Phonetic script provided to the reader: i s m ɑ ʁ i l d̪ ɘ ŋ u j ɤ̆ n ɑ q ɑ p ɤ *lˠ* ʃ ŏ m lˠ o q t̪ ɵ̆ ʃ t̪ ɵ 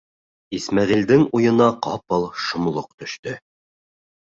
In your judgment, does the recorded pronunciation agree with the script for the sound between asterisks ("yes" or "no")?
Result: yes